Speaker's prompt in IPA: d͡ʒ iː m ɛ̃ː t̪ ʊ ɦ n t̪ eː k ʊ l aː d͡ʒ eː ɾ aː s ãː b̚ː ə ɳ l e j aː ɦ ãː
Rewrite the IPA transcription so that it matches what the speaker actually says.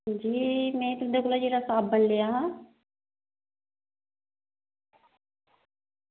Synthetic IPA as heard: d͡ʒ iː m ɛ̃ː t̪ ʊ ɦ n d̪ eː k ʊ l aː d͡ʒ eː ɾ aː s aː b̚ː ə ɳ l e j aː ɦ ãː